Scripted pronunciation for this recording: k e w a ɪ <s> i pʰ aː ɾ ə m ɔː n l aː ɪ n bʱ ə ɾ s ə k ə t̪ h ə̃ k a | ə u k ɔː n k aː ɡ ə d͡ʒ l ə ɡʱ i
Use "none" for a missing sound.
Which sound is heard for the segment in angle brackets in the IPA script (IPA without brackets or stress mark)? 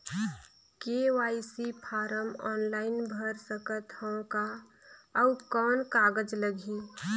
s